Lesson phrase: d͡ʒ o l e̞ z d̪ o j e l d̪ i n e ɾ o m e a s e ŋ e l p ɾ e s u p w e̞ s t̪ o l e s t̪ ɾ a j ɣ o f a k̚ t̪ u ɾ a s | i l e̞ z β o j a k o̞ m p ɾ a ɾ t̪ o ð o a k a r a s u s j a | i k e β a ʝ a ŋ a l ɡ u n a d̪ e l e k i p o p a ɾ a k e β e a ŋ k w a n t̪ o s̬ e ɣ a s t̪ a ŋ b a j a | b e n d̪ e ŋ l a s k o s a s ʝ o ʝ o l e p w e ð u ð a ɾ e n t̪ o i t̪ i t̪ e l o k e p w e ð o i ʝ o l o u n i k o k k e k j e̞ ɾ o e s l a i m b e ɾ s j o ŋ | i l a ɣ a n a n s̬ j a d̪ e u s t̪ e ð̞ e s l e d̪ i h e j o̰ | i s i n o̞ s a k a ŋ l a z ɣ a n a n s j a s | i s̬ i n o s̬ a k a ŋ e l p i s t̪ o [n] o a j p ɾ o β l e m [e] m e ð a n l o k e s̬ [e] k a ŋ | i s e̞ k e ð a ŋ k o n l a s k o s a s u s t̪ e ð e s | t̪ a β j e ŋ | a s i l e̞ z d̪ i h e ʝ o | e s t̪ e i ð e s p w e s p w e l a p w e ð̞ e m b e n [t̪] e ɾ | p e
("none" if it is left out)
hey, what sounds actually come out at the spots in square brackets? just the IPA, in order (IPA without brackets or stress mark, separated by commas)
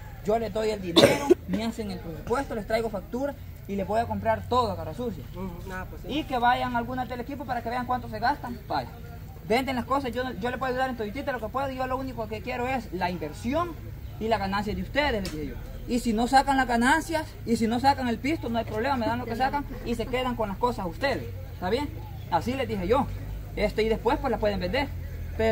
n, a, a, d̪